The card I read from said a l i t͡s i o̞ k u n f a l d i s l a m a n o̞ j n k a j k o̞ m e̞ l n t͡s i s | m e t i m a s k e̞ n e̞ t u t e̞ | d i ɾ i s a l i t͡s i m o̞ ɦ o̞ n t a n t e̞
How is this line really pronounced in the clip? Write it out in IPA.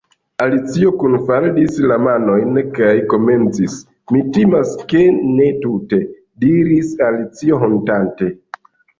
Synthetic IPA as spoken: a l i t͡s i o̞ k u n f a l d i s l a m a n o̞ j n k a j k o̞ m e̞ n t͡s i s | m i t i m a s k e̞ n e̞ t u t e̞ | d i ɾ i s a l i t͡s i o̞ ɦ o̞ n t a n t e̞

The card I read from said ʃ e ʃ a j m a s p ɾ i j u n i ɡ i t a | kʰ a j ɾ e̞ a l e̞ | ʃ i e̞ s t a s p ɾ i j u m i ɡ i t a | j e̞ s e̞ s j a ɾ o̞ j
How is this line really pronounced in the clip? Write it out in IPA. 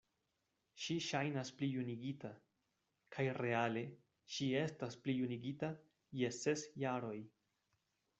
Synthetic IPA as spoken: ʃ i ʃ a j n a s p l i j u n i ɡ i t a | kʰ a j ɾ e̞ a l e̞ | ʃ i e̞ s t a s p l i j u n i ɡ i t a | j e̞ s e̞ s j a ɾ o̞ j

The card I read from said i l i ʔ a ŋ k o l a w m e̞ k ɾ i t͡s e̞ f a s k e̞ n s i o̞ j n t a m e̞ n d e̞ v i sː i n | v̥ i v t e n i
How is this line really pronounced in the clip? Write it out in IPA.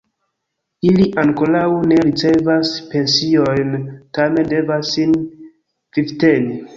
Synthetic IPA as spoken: i l i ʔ a ŋ k o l a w n e̞ ɾ i t͡s e̞ v a s p e̞ n s i o̞ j n t a m e̞ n d e̞ v a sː i n | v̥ i v t e n i

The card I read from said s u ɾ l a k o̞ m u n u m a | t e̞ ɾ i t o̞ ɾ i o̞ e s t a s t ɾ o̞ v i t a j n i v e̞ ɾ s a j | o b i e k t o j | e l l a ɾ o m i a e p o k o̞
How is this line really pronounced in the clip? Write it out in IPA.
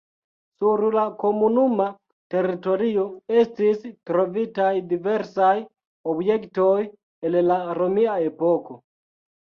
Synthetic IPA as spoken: s u ɾ l a k o̞ m u n u m a | t e̞ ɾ i t o̞ ɾ i o̞ e s t i s t ɾ o̞ v i t a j d i v e̞ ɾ s a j | o b j e k t o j | e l l a ɾ o m i a e p o k o̞

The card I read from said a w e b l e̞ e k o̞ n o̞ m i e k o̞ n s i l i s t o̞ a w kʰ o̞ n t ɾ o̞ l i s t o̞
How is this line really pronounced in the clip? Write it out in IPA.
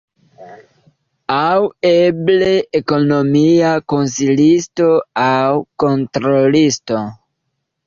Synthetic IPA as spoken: a w e b l e̞ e k o̞ n o̞ m i a k o̞ n s i l i s t o̞ a w k o̞ n t ɾ o̞ l i s t o̞

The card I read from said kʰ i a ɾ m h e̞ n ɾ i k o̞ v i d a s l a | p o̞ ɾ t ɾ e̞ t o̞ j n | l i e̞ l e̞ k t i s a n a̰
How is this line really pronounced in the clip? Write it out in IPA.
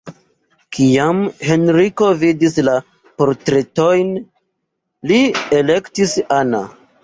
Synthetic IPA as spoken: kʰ i a m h e̞ n ɾ i k o̞ v i d i s l a | p o̞ ɾ t ɾ e̞ t o̞ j n | l i e̞ l e̞ k t i s a n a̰

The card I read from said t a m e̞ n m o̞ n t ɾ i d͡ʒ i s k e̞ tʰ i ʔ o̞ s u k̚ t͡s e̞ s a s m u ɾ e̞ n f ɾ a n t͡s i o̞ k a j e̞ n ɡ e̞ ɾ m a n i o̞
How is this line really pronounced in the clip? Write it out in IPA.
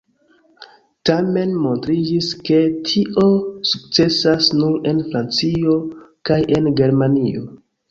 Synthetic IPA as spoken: t a m e̞ n m o̞ n t ɾ i d͡ʒ i s k e̞ tʰ i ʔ o̞ s u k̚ t͡s e̞ s a s n u ɾ e̞ n f ɾ a n t͡s i o̞ k a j e̞ n ɡ e̞ ɾ m a n i o̞

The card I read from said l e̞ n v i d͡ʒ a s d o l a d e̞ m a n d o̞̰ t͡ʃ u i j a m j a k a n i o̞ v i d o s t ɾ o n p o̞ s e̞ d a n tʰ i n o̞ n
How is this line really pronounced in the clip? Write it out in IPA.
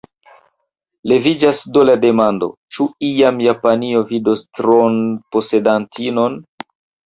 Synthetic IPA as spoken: l e̞ v i d͡ʒ a s d o l a d e̞ m a n d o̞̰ t͡ʃ u i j a m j a p a n i o̞ v i d o s t ɾ o n p o̞ s e̞ d a n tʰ i n o̞ n

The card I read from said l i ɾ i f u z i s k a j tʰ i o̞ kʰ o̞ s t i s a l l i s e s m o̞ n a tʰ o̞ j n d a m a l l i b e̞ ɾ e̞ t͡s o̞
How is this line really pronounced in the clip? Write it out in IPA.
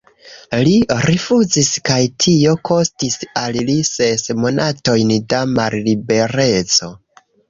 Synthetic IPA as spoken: l i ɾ i f u z i s k a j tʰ i o̞ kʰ o̞ s t i s a l l i s e s m o̞ n a t o̞ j n d a m a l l i b e̞ ɾ e̞ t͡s o̞

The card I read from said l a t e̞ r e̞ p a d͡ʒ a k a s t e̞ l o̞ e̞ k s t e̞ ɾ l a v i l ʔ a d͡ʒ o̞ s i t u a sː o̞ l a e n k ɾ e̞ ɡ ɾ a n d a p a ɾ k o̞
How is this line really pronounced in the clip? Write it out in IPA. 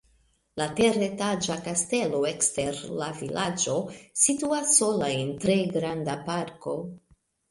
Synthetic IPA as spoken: l a t e̞ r e̞ t a d͡ʒ a k a s t e̞ l o̞ e̞ k s t e̞ ɾ l a v i l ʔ a d͡ʒ o̞ s i t u a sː o̞ l a e n t ɾ e̞ ɡ ɾ a n d a p a ɾ k o̞

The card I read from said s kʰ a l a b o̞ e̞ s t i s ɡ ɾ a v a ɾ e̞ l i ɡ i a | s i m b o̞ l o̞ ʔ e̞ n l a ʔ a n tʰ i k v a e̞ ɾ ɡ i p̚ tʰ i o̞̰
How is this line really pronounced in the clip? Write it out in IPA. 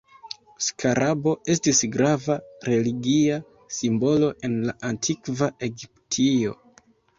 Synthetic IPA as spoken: s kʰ a ɾ a b o̞ e̞ s t i s ɡ ɾ a v a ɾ e̞ l i ɡ i a | s i m b o̞ l o̞ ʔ e̞ n l a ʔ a n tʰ i k v a e̞ ɡ i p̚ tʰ i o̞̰

